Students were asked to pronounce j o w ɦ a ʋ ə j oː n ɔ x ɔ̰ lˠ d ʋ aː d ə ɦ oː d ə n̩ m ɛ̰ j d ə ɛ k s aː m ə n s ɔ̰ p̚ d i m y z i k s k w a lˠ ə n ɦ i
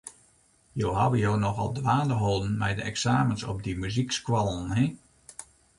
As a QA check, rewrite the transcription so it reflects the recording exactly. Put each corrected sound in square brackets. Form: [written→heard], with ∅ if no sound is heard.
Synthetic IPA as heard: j o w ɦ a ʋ ə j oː n ɔ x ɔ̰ lˠ d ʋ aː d ə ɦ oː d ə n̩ m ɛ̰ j d ə ɛ k s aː m ə n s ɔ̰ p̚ d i m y z i k s k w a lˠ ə n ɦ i

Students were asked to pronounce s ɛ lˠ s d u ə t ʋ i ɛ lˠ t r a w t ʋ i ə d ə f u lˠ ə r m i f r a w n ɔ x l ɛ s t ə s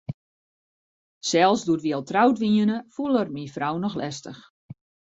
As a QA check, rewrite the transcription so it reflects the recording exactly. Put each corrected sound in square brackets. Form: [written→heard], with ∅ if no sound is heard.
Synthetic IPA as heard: s ɛ lˠ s d u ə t ʋ i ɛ lˠ t r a w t ʋ i ə [d→n] ə f u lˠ ə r m i f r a w n ɔ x l ɛ s t ə [s→x]

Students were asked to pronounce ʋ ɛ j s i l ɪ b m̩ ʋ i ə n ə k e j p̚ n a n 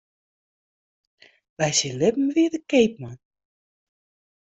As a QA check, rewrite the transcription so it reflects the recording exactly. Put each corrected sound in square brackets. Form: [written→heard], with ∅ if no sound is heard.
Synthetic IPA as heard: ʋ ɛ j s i l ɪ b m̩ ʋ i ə [n→d] ə k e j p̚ [n→m] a n

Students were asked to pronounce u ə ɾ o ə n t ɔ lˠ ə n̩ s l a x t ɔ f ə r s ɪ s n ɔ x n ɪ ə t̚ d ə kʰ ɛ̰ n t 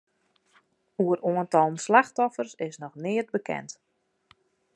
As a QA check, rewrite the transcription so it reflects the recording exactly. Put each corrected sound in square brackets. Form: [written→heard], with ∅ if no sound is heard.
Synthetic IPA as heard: u ə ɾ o ə n t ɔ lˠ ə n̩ s l a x t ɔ f ə r s ɪ s n ɔ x n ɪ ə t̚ [d→b] ə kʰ ɛ̰ n t

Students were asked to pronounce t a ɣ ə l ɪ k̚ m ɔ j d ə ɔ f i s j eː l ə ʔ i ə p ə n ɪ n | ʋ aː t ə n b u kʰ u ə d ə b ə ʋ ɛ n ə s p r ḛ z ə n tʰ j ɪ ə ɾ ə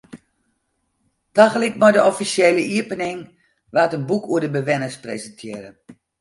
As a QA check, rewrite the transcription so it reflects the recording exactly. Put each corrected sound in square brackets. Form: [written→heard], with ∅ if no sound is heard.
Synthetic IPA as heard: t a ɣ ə l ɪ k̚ m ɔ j d ə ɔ f i s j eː l ə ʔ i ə p ə n ɪ [n→ŋ] | ʋ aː t ə n b u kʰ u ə d ə b ə ʋ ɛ n ə s p r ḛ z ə n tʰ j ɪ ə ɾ ə

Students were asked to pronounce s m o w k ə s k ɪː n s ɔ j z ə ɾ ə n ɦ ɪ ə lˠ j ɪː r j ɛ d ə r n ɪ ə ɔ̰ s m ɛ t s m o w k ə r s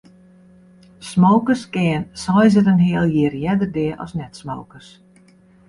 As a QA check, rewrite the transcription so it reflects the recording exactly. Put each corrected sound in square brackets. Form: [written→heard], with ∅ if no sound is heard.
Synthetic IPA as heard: s m o w k ə s k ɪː n s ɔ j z ə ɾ ə n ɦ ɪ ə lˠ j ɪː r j ɛ d ə r [n→d] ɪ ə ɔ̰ s [m→n] ɛ t s m o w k ə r s

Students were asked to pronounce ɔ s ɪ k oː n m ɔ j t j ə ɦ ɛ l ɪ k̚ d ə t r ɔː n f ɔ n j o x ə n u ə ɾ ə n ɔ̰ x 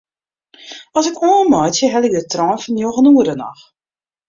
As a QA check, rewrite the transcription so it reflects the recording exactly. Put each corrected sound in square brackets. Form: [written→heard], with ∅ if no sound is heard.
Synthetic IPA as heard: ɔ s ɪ k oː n m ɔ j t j ə ɦ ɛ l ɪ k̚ d ə t r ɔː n f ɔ n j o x ə n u ə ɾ ə n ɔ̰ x

